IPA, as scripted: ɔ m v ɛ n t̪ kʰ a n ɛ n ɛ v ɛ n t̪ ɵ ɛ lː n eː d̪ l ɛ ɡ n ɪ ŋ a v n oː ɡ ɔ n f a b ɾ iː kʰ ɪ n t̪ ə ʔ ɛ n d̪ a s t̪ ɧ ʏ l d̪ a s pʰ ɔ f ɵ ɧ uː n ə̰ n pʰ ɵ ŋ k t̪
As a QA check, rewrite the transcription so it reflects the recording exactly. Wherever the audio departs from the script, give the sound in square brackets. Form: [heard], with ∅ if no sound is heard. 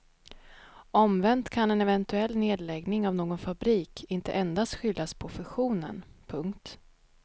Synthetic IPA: ɔ m v ɛ n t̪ kʰ a n ɛ n ɛ v ɛ n t̪ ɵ ɛ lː n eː d̪ l ɛ ɡ n ɪ ŋ a v n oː ɡ ɔ n f a b ɾ iː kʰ ɪ n t̪ ə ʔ ɛ n d̪ a s t̪ ɧ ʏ l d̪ a s pʰ ɔ f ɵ ɧ uː n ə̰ n pʰ ɵ ŋ k t̪